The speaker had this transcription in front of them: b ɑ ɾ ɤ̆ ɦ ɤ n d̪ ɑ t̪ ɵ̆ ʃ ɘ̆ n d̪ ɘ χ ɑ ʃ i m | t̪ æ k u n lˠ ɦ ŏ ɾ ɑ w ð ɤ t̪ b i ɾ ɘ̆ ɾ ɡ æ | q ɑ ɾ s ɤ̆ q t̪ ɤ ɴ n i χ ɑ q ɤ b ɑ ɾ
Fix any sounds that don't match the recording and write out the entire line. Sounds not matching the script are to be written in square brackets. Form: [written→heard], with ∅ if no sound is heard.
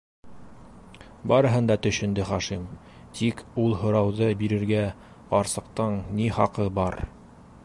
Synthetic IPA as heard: b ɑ ɾ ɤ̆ ɦ ɤ n d̪ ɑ t̪ ɵ̆ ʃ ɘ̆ n d̪ ɘ χ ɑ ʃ i m | t̪ [æ→i] k u [n→∅] lˠ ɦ ŏ ɾ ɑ w ð ɤ [t̪→∅] b i ɾ ɘ̆ ɾ ɡ æ | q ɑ ɾ s ɤ̆ q t̪ ɤ ɴ n i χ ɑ q ɤ b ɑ ɾ